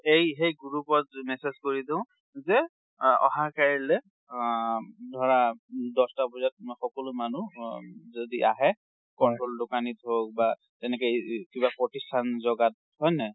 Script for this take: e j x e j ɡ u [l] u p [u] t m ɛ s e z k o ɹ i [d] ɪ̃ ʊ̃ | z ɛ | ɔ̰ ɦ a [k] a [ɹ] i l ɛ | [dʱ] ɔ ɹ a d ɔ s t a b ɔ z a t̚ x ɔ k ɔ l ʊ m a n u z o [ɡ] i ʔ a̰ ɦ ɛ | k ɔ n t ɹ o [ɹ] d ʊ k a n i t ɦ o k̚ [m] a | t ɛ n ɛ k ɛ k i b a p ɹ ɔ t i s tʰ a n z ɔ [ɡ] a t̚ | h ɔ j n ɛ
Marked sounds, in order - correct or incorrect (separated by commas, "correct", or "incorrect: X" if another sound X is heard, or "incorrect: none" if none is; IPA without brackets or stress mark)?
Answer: incorrect: ɹ, incorrect: ɔ, correct, correct, correct, correct, incorrect: d, incorrect: l, incorrect: b, correct